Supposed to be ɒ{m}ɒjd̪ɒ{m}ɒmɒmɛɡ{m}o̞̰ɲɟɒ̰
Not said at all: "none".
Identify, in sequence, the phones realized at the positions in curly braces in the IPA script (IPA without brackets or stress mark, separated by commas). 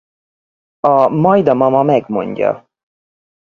m, m, m